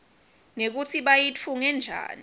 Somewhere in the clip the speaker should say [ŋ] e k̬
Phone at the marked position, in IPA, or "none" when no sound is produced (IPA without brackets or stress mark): n